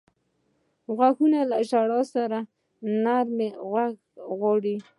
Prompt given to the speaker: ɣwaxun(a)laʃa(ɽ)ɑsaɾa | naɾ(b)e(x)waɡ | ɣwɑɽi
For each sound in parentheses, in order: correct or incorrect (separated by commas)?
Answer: correct, correct, incorrect, incorrect